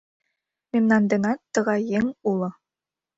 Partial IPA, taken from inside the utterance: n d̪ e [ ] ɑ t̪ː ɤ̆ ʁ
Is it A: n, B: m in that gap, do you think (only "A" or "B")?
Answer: A